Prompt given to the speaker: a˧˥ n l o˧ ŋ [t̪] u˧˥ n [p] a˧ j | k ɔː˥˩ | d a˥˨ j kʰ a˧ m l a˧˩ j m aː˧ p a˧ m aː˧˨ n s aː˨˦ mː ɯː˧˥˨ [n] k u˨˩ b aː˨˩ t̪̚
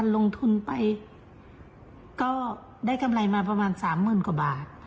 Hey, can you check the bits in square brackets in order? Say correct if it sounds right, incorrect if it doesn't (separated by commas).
incorrect, correct, correct